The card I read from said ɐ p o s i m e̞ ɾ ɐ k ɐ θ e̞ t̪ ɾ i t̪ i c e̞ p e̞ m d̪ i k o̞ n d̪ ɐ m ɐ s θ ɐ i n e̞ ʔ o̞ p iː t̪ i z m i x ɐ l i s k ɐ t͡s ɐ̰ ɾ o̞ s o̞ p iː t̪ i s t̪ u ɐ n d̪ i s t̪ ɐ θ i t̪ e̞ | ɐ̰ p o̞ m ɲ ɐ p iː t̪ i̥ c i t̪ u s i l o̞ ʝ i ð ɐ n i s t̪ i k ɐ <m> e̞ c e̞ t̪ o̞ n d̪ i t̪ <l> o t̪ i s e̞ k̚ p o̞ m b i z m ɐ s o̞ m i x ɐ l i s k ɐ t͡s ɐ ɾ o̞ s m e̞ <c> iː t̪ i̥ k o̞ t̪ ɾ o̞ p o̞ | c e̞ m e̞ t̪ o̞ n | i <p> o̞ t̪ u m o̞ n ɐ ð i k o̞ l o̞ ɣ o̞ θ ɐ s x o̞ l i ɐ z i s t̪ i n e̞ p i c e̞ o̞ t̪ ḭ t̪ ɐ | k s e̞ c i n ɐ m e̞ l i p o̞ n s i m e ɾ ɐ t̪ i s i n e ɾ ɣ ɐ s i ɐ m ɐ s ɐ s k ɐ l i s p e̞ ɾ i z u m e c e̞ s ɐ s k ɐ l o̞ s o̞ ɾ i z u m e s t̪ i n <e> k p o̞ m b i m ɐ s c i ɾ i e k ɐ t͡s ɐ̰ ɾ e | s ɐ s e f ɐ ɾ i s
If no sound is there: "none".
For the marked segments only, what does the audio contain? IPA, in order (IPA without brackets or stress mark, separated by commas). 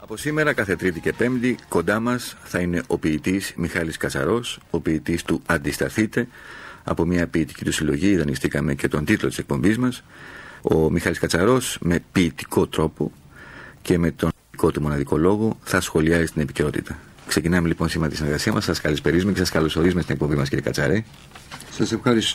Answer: m, l, p, k, e